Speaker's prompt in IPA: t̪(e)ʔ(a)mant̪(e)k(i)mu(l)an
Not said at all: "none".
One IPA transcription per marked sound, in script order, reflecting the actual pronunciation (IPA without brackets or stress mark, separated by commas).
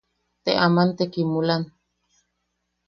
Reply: e, a, e, i, l